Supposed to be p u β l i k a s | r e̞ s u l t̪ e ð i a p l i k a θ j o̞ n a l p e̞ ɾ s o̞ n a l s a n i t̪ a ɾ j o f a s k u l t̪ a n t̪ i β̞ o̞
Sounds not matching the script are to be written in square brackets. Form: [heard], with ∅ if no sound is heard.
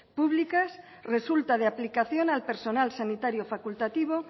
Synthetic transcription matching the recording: p u β l i k a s | r e̞ s u l t̪ [a] ð [e] a p l i k a θ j o̞ n a l p e̞ ɾ s o̞ n a l s a n i t̪ a ɾ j o f a [∅] k u l t̪ a [∅] t̪ i β̞ o̞